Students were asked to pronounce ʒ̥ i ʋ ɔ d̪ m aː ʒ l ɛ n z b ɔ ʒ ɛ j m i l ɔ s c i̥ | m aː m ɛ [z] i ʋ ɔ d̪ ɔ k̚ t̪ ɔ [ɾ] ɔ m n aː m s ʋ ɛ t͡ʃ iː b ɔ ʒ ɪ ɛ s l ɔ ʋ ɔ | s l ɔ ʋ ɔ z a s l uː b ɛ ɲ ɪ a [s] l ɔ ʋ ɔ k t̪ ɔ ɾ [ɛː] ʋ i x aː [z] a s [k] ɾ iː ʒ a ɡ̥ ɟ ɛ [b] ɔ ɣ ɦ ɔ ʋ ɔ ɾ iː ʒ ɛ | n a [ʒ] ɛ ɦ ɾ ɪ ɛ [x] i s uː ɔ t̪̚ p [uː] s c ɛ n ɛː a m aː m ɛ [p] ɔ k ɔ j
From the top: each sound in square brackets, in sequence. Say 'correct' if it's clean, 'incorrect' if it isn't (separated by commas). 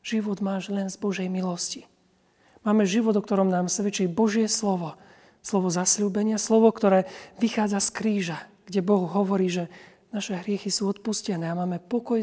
incorrect, correct, correct, correct, incorrect, correct, correct, incorrect, correct, incorrect, correct